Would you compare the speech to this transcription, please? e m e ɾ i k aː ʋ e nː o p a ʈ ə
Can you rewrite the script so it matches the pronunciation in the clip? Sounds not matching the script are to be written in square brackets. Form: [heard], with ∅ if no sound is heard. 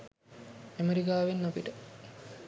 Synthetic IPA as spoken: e m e ɾ i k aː ʋ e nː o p [i] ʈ ə